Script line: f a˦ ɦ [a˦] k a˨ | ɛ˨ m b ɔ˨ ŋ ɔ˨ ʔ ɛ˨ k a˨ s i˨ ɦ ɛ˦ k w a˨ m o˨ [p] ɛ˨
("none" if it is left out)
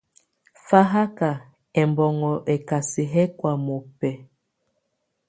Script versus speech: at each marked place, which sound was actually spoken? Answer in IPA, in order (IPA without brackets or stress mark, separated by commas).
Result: a˦, p